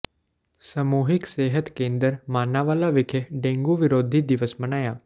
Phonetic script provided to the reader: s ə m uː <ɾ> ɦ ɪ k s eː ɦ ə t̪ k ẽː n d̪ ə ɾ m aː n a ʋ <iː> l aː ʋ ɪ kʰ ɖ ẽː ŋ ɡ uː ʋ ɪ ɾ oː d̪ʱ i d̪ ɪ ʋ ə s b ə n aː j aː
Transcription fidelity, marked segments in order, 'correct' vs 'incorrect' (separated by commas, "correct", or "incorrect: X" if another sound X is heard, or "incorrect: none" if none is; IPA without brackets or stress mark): incorrect: none, incorrect: aː